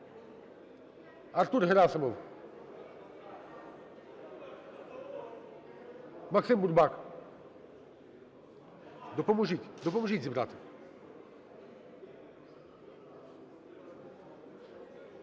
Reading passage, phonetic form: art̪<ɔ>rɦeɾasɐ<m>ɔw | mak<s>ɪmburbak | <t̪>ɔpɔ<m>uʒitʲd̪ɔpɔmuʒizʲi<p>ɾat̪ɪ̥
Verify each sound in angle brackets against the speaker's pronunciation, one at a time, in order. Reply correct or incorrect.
incorrect, correct, correct, incorrect, correct, incorrect

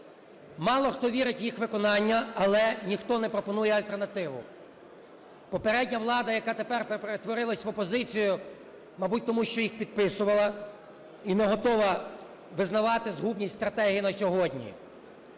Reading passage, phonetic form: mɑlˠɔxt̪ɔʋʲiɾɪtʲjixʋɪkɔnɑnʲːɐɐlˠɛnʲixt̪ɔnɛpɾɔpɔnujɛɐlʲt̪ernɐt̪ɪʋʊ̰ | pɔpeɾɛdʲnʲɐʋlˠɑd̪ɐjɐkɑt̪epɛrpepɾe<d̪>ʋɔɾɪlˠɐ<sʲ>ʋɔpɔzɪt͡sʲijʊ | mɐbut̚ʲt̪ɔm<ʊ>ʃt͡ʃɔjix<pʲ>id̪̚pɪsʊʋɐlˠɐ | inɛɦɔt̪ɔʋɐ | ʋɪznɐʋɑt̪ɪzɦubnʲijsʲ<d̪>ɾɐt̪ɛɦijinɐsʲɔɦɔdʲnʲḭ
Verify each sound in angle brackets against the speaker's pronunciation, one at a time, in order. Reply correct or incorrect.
incorrect, correct, incorrect, correct, incorrect

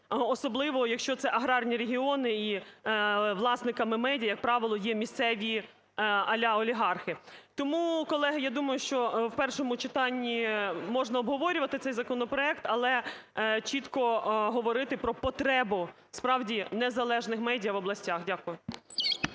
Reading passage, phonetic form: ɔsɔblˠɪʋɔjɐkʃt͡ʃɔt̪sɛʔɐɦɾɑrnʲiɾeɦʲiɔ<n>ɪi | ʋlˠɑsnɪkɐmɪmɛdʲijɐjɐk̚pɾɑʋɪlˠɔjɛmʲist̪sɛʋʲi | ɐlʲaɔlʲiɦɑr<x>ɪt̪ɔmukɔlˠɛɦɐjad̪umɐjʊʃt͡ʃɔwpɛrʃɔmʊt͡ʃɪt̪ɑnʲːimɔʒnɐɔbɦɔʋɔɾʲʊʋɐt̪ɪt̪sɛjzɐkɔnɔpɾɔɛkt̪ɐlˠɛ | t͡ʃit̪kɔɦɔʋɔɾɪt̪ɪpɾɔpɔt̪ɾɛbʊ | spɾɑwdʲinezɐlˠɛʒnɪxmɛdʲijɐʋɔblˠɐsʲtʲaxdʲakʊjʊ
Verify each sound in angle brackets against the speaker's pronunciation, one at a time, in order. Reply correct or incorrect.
correct, correct

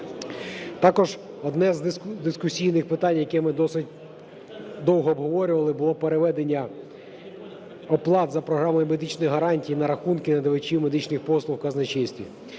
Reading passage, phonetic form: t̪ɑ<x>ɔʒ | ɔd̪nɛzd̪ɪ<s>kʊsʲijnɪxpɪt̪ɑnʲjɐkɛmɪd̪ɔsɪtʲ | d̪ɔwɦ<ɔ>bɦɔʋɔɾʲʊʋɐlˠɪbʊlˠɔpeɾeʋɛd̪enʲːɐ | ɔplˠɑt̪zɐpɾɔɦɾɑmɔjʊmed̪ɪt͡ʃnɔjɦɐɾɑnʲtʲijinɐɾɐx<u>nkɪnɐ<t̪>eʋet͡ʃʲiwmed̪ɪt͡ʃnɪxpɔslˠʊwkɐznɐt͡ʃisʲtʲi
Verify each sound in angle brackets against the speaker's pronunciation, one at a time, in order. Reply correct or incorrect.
incorrect, correct, incorrect, correct, incorrect

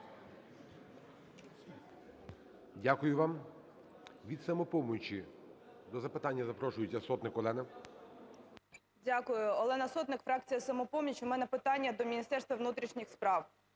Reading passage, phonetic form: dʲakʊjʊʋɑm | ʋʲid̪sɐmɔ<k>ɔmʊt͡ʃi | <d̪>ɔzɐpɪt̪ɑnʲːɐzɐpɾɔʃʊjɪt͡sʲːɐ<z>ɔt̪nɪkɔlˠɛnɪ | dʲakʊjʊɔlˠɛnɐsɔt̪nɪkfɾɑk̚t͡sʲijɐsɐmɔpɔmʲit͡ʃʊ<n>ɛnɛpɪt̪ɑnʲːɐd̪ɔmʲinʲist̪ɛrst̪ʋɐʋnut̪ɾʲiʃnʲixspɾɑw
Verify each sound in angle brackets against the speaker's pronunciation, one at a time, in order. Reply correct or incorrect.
incorrect, correct, incorrect, incorrect

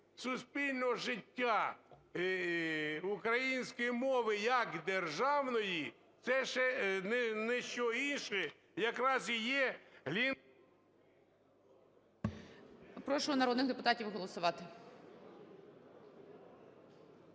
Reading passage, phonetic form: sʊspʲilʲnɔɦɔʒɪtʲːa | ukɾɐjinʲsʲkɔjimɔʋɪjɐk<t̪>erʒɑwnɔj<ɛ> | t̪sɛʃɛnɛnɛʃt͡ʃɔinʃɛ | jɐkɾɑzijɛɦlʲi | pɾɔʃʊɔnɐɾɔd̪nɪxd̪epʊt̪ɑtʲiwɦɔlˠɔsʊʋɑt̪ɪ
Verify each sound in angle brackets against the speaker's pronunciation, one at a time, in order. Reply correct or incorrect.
incorrect, incorrect

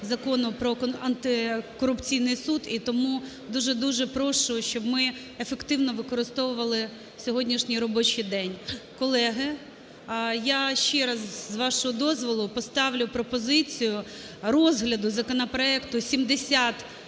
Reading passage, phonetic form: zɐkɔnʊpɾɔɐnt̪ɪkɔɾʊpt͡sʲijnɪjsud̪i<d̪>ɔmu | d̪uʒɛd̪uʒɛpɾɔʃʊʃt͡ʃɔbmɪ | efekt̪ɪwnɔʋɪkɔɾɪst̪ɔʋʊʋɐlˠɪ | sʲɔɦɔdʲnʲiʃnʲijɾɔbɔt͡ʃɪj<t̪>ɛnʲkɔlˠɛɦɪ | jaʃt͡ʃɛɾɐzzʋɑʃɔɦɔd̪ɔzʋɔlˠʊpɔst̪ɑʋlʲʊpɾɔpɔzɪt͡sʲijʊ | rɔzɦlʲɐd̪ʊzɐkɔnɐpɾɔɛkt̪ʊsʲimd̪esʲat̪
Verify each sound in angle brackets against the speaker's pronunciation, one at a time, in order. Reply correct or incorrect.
incorrect, incorrect

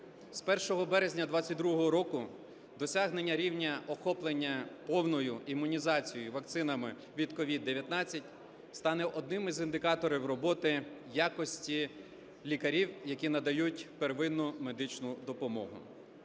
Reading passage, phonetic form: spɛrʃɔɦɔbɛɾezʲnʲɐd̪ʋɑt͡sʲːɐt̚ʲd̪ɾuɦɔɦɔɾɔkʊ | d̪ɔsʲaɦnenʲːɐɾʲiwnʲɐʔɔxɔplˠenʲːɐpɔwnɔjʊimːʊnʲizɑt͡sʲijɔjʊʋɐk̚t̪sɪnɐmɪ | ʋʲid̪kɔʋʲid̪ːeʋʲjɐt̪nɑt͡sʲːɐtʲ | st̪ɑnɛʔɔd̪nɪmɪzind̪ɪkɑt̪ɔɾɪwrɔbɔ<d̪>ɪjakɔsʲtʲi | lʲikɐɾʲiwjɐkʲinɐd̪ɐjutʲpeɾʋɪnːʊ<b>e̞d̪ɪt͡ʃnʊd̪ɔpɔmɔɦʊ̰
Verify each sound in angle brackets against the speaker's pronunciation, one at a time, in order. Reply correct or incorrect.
incorrect, incorrect

